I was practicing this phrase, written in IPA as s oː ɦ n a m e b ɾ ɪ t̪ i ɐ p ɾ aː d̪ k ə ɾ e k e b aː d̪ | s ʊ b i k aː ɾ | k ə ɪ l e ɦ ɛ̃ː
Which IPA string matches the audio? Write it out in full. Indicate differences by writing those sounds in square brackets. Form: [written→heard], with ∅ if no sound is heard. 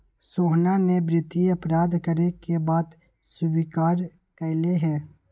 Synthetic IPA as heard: s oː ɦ n a [m→n] e b ɾ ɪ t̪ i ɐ p ɾ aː d̪ k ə ɾ e k e b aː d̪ | s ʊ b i k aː ɾ | k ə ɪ l e ɦ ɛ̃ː